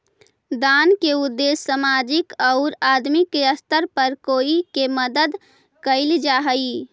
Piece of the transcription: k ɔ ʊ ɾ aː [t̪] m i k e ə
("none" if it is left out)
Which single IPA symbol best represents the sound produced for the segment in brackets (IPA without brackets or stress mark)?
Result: d̪